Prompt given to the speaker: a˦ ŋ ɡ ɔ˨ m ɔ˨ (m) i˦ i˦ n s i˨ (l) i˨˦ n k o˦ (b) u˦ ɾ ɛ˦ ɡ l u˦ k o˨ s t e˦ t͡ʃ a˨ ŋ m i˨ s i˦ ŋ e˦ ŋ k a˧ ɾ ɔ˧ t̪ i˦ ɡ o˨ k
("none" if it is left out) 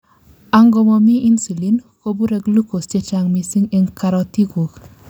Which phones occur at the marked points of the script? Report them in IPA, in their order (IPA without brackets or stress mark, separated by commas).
m, l, b